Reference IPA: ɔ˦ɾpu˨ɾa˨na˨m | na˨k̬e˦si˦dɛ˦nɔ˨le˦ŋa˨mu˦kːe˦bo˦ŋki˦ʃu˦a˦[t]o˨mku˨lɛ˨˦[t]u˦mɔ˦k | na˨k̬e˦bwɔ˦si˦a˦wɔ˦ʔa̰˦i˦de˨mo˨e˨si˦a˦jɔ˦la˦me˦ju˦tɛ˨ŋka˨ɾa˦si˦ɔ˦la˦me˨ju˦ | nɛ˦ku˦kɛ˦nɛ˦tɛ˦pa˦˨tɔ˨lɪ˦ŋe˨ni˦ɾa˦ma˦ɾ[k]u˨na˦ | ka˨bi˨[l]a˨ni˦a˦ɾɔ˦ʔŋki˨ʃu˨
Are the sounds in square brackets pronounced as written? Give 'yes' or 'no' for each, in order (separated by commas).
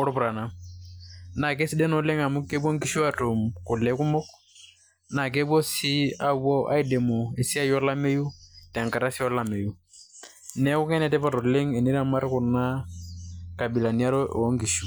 yes, no, yes, yes